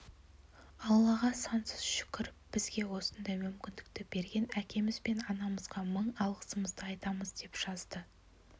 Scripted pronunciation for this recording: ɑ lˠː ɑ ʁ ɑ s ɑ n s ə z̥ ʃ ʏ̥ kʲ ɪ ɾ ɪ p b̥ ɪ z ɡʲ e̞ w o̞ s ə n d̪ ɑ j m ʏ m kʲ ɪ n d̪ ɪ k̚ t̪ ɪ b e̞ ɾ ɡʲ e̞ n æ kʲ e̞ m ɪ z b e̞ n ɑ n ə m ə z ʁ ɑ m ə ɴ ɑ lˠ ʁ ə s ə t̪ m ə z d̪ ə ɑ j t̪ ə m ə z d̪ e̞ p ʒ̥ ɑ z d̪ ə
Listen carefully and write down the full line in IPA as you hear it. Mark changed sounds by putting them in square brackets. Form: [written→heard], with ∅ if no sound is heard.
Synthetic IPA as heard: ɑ lˠː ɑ ʁ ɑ s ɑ n s ə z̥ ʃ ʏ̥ kʲ ɪ ɾ ɪ p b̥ ɪ z ɡʲ e̞ w o̞ s ə n d̪ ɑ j m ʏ m kʲ ɪ n d̪ ɪ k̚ t̪ ɪ b e̞ ɾ ɡʲ e̞ n æ kʲ e̞ m ɪ z b e̞ n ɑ n [ə→ɑ] m ə z ʁ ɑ m ə ɴ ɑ lˠ ʁ ə s ə [t̪→∅] m ə z d̪ ə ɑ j t̪ [ə→ɑ] m ə z d̪ e̞ p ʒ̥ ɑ z d̪ ə

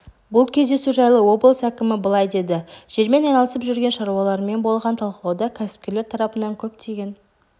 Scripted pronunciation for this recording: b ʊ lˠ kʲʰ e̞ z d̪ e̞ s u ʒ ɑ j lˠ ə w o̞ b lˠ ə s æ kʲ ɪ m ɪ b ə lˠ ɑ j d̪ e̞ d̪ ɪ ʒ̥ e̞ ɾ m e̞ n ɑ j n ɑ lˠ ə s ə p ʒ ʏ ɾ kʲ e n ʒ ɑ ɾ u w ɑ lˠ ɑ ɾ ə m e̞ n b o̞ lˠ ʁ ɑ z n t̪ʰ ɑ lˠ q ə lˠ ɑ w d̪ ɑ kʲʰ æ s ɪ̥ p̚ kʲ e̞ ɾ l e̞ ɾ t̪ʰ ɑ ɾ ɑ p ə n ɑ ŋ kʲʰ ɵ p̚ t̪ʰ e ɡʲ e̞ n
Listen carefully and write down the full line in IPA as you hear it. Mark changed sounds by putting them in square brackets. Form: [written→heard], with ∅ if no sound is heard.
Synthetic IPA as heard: b ʊ lˠ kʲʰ e̞ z d̪ e̞ s u ʒ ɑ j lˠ ə w o̞ b lˠ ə s æ kʲ ɪ m ɪ b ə lˠ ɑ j d̪ e̞ d̪ ɪ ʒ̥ e̞ ɾ m e̞ n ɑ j n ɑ lˠ ə s ə p ʒ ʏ ɾ [kʲ→ɡʲ] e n [ʒ→ʃ] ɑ ɾ u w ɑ lˠ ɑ ɾ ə m e̞ n b o̞ lˠ ʁ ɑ [z→∅] n t̪ʰ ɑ lˠ q ə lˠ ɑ w d̪ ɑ kʲʰ æ s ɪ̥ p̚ kʲ e̞ ɾ l e̞ ɾ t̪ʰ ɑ ɾ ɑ p ə n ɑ ŋ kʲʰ ɵ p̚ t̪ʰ e ɡʲ e̞ n

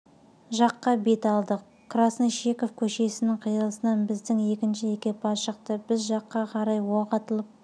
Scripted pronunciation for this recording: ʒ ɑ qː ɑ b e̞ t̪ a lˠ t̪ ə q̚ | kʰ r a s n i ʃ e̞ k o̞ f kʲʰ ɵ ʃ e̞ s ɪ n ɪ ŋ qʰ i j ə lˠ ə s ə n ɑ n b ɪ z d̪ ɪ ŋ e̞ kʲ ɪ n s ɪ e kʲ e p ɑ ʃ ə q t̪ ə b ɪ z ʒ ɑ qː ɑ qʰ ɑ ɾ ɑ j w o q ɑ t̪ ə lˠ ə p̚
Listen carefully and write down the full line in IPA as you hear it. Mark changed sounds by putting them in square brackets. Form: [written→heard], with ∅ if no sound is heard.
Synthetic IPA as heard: ʒ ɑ qː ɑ b e̞ t̪ [a→ɑ] lˠ [t̪→d̪] ə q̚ | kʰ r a s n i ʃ e̞ k o̞ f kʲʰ ɵ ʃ e̞ s ɪ n ɪ ŋ qʰ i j ə lˠ ə s ə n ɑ n b ɪ z d̪ ɪ ŋ e̞ kʲ ɪ n [s→ʃ] ɪ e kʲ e p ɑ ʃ ə q t̪ ə b ɪ z ʒ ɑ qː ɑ qʰ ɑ ɾ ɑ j w o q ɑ t̪ ə lˠ ə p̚

